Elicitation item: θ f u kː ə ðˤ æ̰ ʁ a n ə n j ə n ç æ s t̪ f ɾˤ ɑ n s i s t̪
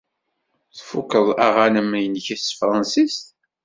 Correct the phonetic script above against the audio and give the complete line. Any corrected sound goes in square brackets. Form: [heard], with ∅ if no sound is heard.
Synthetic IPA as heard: θ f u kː ə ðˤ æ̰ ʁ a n ə [m] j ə n ç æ s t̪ f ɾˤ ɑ n s i s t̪